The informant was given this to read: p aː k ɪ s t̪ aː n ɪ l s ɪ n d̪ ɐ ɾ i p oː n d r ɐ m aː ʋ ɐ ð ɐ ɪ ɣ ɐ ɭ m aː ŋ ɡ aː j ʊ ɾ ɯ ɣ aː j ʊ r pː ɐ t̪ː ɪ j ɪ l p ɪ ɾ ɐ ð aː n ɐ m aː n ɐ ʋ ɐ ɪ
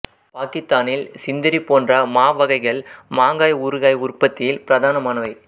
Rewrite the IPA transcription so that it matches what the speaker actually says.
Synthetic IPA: p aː k ɪ s t̪ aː n ɪ l s ɪ n d̪ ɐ ɾ i p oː n d r ɐ m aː ʋ ɐ ɣ ɐ ɪ ɣ ɐ ɭ m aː ŋ ɡ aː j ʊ ɾ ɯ ɣ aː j ʊ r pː ɐ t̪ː ɪ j ɪ l p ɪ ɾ ɐ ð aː n ɐ m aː n ɐ ʋ ɐ ɪ